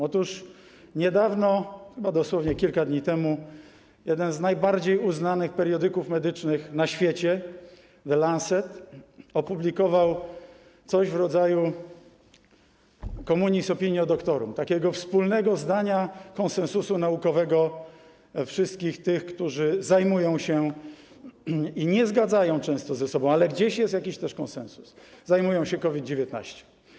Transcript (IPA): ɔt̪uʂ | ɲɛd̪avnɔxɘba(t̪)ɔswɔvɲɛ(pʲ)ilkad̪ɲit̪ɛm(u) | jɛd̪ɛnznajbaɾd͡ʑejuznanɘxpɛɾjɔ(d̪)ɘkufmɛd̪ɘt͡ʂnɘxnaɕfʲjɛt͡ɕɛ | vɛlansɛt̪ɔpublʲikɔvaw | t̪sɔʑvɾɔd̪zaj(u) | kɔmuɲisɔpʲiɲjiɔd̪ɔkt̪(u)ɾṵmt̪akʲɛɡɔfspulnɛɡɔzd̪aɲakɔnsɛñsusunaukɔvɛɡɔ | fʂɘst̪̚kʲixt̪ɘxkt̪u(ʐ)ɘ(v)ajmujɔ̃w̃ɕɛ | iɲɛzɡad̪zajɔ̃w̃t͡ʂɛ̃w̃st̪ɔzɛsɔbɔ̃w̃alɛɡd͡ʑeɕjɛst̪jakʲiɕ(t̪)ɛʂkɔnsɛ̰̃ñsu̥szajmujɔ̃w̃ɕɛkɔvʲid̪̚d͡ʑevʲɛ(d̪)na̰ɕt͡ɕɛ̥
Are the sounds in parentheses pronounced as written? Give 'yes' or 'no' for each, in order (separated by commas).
no, no, yes, yes, yes, no, yes, no, yes, no